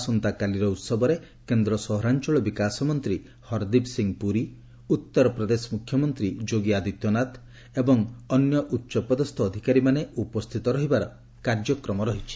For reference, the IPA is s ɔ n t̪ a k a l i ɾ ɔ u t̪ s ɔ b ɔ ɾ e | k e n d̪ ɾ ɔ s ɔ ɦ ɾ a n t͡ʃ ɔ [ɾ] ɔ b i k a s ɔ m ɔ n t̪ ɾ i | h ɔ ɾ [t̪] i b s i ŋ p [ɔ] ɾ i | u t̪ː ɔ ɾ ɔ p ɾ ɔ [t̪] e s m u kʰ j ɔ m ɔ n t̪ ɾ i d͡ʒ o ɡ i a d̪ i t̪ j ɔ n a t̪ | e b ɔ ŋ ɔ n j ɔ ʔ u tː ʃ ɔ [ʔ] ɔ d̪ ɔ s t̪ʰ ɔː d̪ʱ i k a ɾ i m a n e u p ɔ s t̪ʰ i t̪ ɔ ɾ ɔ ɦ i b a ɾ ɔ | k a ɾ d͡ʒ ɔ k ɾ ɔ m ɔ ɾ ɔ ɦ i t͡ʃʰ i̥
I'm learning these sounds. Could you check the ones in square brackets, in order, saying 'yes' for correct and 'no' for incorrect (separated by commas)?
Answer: no, no, no, no, no